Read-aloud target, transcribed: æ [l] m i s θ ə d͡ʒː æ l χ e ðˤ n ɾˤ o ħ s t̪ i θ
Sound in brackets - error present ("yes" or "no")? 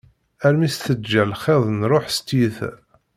yes